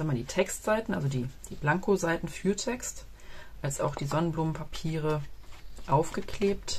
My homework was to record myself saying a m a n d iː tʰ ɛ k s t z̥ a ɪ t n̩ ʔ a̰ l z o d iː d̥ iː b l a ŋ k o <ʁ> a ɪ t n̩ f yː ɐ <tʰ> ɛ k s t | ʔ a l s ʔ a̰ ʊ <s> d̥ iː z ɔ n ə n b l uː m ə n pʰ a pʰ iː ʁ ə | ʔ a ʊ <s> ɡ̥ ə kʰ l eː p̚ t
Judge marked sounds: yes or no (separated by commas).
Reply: no, yes, no, no